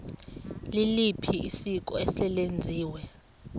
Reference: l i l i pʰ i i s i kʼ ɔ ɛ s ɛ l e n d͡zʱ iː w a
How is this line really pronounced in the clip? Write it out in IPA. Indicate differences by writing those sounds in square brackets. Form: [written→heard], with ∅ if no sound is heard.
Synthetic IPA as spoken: l i l i pʰ i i s i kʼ ɔ ɛ s ɛ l e n d͡zʱ iː w [a→ɛ]